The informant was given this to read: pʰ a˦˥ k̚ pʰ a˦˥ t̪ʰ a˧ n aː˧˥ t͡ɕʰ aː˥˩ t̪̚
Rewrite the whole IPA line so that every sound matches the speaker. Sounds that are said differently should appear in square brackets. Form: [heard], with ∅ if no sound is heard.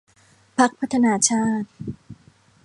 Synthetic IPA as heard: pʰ a˦˥ k̚ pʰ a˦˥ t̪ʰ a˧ n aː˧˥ t͡ɕʰ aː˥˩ t̪̚